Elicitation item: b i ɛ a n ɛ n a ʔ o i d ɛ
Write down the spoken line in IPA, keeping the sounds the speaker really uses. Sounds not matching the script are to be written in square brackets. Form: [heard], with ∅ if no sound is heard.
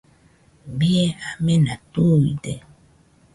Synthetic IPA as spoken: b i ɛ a [m] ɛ n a [t] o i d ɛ